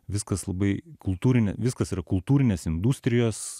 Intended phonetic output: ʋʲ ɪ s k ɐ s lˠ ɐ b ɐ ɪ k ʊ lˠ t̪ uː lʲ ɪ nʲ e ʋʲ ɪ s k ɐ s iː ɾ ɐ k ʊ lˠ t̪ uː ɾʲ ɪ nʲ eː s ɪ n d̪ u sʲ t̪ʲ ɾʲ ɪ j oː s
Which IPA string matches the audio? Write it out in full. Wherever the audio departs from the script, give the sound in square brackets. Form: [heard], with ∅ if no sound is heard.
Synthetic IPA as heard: ʋʲ ɪ s k ɐ s lˠ ɐ b ɐ ɪ k ʊ lˠ t̪ uː [ɾʲ] ɪ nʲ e ʋʲ ɪ s k ɐ s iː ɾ ɐ k ʊ lˠ t̪ uː ɾʲ ɪ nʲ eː s ɪ n d̪ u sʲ t̪ʲ ɾʲ ɪ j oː s